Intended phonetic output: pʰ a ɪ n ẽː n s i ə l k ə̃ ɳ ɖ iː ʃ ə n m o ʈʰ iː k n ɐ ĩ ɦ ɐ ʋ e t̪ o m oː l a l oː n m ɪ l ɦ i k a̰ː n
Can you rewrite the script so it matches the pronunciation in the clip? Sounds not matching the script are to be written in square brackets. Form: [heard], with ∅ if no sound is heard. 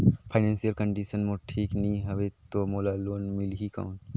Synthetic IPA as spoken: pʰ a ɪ n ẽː n s i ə l k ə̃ ɳ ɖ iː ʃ ə n m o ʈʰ iː k n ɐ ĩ ɦ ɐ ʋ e t̪ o m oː l a l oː n m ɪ l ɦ i k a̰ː n